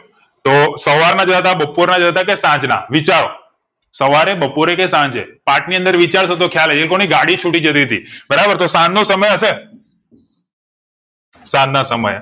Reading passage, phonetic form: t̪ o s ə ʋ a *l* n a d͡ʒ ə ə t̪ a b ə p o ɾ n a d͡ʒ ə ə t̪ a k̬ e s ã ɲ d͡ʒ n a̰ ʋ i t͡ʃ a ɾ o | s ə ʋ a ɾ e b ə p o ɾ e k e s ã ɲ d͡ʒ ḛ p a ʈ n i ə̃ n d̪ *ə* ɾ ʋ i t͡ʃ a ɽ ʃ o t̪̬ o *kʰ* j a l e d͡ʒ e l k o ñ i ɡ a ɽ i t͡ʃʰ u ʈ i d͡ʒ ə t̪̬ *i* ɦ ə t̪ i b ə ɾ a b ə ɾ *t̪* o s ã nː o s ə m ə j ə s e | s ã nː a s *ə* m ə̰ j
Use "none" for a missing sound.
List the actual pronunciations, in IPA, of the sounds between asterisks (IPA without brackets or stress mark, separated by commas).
ɾ, ə, kʰ, i, t̪, ə